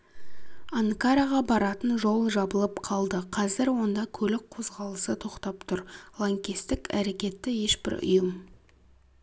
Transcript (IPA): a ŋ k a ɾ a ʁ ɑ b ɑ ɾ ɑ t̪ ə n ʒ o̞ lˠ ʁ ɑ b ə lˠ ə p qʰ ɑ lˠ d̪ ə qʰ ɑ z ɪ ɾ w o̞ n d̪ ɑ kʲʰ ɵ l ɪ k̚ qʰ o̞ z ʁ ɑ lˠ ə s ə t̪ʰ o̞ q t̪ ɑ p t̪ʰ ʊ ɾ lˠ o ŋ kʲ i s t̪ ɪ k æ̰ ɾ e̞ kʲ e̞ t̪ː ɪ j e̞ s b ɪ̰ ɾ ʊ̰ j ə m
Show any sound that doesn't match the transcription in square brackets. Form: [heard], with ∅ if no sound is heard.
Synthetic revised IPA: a ŋ k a ɾ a ʁ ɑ b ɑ ɾ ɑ t̪ ə n ʒ o̞ lˠ [ʒ] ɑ b ə lˠ ə p qʰ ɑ lˠ d̪ ə qʰ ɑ z ɪ ɾ w o̞ n d̪ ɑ kʲʰ ɵ l ɪ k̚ qʰ o̞ z ʁ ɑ lˠ ə s ə t̪ʰ o̞ q t̪ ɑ p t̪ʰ ʊ ɾ lˠ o ŋ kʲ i s t̪ ɪ k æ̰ ɾ e̞ kʲ e̞ t̪ː ɪ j e̞ [ʃ] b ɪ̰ ɾ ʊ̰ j ə m